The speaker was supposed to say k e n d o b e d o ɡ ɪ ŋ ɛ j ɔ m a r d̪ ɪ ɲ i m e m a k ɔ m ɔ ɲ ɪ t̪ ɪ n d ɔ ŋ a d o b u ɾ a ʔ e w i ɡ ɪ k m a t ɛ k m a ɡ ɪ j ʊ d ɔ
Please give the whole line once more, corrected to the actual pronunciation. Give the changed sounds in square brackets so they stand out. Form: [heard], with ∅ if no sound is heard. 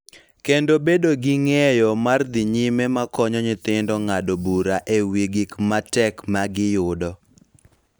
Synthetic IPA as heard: k e n d o b e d o ɡ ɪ ŋ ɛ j ɔ m a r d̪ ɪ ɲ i m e m a k ɔ [ɲ] ɔ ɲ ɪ t̪ ɪ n d ɔ ŋ a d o b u ɾ a ʔ e w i ɡ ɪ k m a t ɛ k m a ɡ ɪ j ʊ d ɔ